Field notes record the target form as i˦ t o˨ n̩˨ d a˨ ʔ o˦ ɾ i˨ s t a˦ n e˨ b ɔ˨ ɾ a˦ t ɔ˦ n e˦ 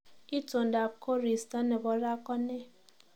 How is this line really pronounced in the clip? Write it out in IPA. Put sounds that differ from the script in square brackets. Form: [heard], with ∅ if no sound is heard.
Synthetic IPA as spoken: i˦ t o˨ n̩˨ d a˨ [k] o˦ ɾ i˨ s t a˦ n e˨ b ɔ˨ ɾ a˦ [k] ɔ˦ n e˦